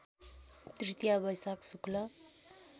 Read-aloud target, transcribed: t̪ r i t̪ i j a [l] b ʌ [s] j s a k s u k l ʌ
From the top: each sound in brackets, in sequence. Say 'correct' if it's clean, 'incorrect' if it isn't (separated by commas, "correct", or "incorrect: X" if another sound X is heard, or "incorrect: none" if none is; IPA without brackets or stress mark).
incorrect: none, incorrect: none